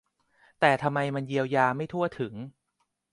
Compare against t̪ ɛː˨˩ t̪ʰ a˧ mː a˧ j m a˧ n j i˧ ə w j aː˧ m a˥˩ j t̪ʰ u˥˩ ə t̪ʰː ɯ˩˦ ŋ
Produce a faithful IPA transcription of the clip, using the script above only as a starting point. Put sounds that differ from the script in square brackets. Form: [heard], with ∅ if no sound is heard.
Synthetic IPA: t̪ ɛː˨˩ t̪ʰ a˧ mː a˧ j m a˧ n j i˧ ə w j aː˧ m a˥˩ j t̪ʰ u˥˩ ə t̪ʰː ɯ˩˦ ŋ